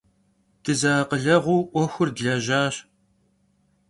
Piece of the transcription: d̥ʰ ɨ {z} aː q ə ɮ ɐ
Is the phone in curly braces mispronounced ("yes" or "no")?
no